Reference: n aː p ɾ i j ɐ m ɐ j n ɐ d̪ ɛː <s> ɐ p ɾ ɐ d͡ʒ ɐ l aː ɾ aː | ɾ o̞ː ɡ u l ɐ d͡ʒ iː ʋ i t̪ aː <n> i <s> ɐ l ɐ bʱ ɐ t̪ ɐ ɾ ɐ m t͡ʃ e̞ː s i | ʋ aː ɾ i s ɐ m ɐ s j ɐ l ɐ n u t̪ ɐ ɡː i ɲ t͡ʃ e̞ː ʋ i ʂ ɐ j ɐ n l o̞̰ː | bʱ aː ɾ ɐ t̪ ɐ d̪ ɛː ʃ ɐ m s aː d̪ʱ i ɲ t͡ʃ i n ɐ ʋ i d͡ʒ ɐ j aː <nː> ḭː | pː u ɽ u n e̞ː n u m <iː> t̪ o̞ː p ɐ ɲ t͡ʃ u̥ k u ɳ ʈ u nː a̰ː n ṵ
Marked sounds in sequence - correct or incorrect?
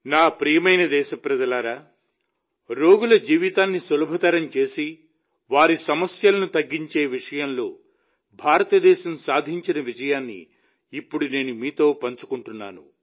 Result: incorrect: ʃ, incorrect: nː, correct, correct, correct

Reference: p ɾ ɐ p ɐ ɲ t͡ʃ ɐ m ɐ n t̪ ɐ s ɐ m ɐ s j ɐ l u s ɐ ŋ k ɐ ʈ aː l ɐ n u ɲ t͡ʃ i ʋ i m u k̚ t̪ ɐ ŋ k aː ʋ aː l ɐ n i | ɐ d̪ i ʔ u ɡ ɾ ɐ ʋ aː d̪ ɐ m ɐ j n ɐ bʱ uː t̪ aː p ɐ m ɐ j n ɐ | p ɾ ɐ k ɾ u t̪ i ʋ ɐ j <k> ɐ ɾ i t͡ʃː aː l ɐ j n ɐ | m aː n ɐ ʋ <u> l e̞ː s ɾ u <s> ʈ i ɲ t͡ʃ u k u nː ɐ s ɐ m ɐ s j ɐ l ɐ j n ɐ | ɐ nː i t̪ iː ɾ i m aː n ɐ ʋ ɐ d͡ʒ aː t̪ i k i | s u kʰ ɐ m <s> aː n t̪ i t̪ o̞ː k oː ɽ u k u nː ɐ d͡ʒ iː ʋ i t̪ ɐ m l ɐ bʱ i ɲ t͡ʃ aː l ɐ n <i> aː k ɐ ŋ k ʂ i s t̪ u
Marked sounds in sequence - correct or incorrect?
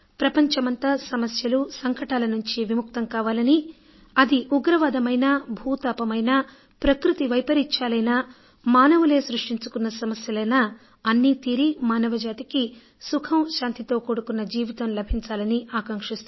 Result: incorrect: p, correct, incorrect: ʂ, incorrect: ʃ, correct

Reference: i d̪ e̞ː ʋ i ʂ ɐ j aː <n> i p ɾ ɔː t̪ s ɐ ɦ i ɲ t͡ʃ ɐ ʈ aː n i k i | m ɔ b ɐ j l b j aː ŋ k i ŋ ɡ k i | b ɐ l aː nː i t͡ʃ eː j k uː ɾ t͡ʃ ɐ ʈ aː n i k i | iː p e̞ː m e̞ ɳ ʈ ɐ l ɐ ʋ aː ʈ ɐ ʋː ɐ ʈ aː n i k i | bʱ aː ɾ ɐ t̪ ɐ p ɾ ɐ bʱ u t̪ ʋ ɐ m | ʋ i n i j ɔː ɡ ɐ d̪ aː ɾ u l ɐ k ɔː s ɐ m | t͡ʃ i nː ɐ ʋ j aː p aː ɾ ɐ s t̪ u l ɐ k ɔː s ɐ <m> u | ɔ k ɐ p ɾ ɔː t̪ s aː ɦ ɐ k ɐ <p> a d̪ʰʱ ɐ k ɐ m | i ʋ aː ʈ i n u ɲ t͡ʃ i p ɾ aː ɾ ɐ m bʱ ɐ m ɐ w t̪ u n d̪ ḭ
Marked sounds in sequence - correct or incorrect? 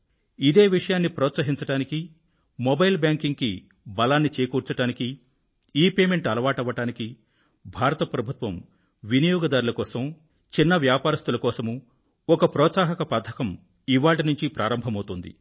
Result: incorrect: nː, correct, correct

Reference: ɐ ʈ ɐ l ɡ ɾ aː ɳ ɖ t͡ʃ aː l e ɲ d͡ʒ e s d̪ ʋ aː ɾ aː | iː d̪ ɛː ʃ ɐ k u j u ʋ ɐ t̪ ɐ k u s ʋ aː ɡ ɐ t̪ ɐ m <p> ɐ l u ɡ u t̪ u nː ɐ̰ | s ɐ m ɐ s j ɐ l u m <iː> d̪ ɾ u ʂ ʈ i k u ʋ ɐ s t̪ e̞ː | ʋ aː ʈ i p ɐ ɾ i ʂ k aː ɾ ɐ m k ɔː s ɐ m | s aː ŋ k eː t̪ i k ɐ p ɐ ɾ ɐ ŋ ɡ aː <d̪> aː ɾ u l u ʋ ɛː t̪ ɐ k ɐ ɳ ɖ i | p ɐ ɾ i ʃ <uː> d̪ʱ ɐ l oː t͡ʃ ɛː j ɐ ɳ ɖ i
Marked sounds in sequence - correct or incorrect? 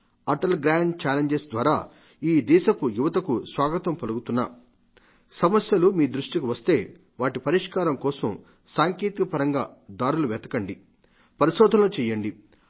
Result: correct, correct, correct, incorrect: ɔː

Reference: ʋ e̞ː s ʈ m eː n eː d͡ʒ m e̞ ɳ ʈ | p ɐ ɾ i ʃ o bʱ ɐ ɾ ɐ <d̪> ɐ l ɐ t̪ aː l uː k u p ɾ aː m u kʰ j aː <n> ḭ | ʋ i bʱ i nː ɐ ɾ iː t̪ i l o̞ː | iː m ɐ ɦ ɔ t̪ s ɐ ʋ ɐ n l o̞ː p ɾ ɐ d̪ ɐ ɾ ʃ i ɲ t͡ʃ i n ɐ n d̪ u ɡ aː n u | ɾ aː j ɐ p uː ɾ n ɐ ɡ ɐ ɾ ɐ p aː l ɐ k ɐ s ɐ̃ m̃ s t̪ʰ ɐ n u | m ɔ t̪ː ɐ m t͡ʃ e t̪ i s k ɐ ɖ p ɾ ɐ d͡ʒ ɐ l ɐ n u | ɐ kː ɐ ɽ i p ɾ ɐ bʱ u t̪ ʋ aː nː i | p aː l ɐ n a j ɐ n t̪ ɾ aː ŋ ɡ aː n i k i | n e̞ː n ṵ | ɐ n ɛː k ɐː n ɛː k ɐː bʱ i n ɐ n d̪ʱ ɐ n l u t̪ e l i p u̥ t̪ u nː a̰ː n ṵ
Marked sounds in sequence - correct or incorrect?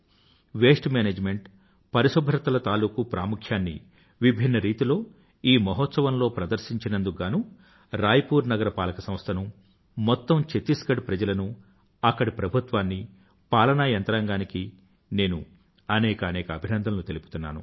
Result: incorrect: t̪, incorrect: nː

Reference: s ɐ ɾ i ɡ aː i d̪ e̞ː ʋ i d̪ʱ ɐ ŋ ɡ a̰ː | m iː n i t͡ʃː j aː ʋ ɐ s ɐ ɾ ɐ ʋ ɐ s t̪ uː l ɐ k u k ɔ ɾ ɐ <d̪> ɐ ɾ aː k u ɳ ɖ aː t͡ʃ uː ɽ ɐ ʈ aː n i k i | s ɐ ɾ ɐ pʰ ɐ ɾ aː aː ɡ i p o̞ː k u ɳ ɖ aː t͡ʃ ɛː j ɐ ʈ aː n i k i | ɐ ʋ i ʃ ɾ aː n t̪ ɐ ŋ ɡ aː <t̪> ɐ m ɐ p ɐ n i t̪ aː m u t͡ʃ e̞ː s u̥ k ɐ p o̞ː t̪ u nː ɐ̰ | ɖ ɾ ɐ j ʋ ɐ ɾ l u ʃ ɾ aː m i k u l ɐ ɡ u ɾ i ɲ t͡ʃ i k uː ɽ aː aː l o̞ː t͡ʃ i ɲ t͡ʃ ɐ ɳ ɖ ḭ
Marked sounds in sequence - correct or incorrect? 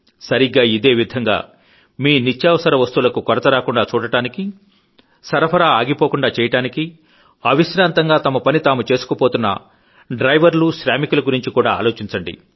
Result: incorrect: t̪, correct

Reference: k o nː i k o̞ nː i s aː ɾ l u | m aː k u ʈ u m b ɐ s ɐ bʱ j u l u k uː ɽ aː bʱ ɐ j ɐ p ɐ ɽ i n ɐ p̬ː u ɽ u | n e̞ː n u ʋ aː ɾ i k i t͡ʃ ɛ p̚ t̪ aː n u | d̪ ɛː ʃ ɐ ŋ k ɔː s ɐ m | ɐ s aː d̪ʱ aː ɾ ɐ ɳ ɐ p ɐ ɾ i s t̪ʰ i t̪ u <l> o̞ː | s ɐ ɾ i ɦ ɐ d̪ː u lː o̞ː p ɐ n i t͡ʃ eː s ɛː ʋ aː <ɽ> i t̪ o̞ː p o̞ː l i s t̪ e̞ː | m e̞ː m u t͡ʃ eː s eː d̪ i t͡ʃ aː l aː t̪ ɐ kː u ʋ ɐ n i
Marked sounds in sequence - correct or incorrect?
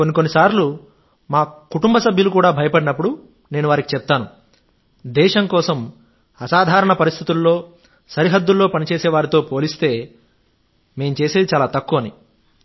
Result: incorrect: lː, incorrect: ɾ

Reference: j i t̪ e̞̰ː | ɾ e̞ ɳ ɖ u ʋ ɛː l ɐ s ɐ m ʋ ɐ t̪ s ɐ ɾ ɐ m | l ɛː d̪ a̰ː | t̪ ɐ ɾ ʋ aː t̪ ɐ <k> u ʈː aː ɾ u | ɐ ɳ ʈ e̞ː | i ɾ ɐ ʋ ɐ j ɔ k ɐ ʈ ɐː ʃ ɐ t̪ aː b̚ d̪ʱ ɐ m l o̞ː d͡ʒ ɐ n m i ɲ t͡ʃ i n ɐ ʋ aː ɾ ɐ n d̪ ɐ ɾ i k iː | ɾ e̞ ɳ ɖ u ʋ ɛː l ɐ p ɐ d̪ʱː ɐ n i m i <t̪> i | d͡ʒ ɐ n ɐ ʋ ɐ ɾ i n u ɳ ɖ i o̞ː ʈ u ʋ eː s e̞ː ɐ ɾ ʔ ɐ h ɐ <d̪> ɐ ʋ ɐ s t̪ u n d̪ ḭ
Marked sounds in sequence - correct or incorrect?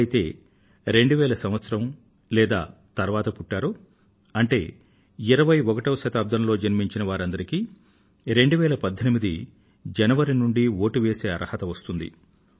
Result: incorrect: p, incorrect: d̪, incorrect: t̪

